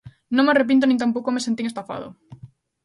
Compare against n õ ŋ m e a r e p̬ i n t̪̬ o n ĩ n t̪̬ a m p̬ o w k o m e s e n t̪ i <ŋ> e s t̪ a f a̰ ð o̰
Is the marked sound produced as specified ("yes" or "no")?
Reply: yes